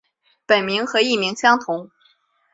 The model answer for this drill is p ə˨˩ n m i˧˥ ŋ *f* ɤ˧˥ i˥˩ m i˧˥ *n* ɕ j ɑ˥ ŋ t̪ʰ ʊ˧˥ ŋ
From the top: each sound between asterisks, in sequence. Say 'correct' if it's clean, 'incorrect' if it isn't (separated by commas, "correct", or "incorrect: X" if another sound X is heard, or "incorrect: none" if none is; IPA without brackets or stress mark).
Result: incorrect: x, incorrect: ŋ